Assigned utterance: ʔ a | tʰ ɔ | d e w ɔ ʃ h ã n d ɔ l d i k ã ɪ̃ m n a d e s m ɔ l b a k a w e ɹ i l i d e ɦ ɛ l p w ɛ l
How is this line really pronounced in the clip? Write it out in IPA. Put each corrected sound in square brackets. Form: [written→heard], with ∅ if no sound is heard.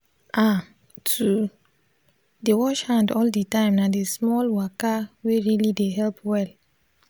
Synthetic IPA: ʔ a | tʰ [ɔ→u] | d e w ɔ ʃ h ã n d ɔ l d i [k→t] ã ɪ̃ m n a d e s m ɔ l [b→w] a k a w e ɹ i l i d e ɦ ɛ l p w ɛ l